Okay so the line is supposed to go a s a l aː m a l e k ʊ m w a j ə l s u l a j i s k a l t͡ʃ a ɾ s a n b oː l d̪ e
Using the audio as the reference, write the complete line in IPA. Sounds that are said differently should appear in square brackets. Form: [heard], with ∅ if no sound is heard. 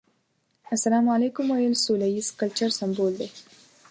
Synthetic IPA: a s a l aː m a l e k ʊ m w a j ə l s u l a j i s k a l t͡ʃ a ɾ s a [m] b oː l d̪ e